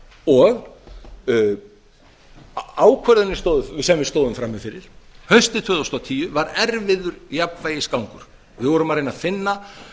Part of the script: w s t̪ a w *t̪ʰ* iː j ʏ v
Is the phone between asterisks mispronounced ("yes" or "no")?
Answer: no